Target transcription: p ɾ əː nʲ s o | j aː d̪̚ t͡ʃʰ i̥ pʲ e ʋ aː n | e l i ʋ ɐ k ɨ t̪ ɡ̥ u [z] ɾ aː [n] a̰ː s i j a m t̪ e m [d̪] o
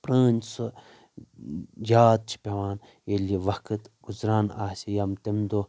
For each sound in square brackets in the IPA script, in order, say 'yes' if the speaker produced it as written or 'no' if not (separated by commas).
yes, yes, yes